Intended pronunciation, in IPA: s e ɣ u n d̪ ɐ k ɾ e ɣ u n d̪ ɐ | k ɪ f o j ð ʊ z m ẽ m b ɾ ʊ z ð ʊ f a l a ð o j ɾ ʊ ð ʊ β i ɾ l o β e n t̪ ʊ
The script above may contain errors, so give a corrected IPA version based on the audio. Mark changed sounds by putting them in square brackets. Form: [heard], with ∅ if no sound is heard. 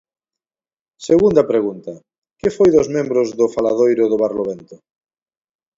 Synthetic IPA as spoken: s e ɣ u n d̪ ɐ [p] ɾ e ɣ u n [t̪] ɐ | k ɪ f o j ð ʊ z m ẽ m b ɾ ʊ z ð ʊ f a l a ð o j ɾ ʊ ð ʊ β [a] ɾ l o β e n t̪ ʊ